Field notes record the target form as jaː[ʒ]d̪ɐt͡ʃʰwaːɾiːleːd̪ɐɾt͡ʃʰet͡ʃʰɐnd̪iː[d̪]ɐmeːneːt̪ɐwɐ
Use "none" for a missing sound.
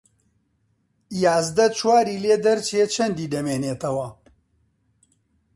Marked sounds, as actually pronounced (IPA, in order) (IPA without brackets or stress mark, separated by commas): z, d̪